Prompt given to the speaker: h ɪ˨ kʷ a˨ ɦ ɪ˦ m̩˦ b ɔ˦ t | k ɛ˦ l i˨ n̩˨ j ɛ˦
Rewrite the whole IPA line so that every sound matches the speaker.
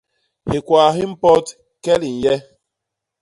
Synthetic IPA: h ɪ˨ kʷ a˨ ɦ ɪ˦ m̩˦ p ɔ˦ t | k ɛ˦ l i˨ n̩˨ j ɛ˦